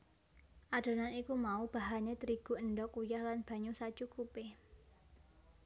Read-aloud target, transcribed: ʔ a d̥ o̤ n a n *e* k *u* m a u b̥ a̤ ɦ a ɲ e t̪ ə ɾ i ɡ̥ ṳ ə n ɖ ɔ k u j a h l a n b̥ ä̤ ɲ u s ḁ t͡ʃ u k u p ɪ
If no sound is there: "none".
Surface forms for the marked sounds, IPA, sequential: i, u

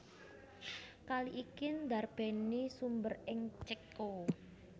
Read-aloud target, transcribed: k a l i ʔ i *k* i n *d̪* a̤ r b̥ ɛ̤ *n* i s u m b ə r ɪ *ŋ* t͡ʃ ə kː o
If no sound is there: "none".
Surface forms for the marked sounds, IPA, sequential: k, d̪, n, ŋ

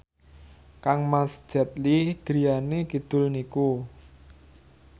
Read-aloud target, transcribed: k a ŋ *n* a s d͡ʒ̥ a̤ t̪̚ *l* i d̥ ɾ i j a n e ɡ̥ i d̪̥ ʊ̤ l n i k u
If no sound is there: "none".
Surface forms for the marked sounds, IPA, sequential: m, l

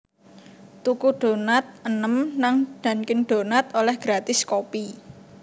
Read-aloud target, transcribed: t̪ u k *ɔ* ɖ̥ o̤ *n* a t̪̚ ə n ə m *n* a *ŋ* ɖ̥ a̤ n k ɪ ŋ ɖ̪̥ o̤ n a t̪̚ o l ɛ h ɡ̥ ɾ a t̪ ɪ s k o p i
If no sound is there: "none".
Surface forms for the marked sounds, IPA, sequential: u, n, n, ŋ

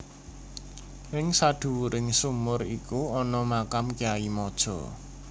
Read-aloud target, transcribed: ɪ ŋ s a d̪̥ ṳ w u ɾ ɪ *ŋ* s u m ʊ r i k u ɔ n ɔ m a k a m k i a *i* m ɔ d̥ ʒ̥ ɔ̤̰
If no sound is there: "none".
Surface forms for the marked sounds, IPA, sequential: ŋ, i

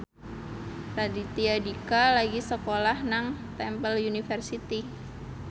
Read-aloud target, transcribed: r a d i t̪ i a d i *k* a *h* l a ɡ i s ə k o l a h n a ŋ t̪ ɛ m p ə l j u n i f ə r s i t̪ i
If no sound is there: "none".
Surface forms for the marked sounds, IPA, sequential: k, none

